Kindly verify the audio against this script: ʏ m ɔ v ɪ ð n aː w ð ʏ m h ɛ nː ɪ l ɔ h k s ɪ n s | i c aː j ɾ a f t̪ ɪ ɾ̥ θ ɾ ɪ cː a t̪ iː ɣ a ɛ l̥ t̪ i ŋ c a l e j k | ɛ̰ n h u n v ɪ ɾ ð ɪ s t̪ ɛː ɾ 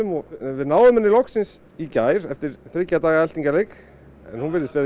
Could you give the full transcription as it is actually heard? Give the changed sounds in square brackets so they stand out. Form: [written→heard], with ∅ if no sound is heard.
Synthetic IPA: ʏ m ɔ v ɪ ð n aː w ð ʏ m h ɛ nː ɪ l ɔ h k s ɪ n s | i c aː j ɾ [a→ɛ] f t̪ ɪ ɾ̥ θ ɾ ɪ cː a t̪ [iː→aː] ɣ a ɛ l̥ t̪ i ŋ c a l e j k | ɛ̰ n h u n v ɪ ɾ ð ɪ s t̪ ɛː ɾ